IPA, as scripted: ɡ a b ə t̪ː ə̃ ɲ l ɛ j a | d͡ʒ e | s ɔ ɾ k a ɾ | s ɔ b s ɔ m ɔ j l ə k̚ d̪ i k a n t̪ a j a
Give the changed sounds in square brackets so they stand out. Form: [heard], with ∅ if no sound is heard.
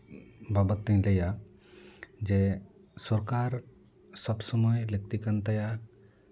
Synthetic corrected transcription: [b] a b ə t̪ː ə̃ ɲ l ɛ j a | d͡ʒ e | s ɔ ɾ k a ɾ | s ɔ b s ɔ m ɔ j l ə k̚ [t̪] i k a n t̪ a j a